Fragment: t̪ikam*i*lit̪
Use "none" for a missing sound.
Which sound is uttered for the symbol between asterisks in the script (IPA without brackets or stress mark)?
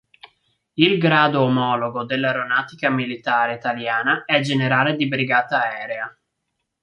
i